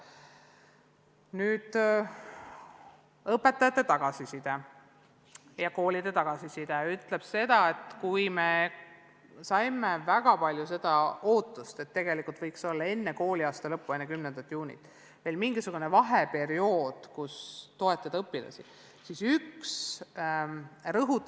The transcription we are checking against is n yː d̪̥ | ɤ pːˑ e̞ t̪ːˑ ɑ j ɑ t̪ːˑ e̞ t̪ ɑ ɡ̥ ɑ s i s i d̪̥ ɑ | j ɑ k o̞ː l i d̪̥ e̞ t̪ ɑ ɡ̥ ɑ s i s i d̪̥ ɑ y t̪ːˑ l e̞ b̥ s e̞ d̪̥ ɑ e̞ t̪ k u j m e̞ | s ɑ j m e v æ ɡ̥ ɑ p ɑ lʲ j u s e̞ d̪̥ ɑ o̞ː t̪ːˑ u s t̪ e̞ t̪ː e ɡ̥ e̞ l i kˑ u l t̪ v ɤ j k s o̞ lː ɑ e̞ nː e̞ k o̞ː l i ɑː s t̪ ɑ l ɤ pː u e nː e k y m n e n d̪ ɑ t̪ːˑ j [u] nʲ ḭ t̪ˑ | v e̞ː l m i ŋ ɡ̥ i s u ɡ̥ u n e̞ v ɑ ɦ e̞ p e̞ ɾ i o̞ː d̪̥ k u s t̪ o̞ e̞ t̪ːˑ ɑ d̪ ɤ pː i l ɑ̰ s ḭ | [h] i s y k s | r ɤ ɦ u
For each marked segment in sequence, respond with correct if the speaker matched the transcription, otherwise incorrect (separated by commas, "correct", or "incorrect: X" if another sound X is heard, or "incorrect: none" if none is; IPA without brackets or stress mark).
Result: incorrect: uː, incorrect: s